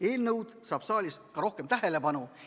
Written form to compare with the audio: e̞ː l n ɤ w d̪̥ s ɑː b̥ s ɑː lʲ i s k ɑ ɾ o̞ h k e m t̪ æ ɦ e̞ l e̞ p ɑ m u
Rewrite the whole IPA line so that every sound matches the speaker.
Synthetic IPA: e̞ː l n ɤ w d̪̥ s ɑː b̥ s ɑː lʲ i s k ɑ ɾ o̞ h k e m t̪ æ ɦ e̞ l e̞ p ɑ n u